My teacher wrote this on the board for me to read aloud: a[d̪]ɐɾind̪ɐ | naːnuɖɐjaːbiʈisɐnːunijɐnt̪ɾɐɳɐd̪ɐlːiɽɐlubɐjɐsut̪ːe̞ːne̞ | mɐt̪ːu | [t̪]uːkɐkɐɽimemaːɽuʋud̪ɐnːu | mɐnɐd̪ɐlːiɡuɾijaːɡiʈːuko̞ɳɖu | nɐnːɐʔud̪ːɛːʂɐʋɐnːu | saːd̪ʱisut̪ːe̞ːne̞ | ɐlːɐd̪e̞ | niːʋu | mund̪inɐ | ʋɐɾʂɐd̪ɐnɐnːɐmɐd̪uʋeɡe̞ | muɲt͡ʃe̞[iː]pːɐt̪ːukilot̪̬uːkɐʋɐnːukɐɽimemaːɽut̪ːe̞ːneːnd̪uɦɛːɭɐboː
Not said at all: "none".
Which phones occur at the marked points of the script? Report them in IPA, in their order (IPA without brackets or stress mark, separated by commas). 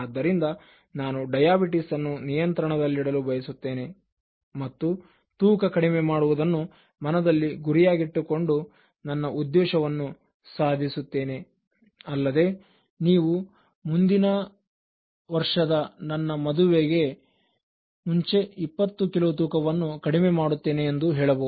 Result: d̪ː, t̪, i